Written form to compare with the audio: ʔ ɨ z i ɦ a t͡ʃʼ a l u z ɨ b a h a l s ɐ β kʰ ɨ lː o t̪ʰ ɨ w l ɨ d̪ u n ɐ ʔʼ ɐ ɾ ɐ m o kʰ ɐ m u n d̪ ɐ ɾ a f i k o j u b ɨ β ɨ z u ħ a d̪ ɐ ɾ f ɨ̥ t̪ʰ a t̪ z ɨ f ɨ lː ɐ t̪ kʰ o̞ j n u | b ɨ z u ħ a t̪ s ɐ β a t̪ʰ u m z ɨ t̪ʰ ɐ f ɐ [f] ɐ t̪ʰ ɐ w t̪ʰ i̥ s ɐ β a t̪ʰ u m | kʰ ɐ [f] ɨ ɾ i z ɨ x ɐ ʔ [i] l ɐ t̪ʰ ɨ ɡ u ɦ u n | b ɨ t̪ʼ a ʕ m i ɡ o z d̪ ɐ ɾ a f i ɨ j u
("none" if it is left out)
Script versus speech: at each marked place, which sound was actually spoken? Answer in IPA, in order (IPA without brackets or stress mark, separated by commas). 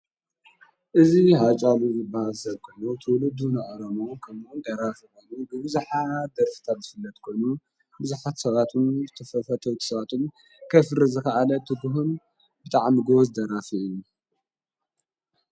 f, f, a